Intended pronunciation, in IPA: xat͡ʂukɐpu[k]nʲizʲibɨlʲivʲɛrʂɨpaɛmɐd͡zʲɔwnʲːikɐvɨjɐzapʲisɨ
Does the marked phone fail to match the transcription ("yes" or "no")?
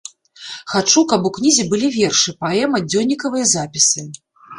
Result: no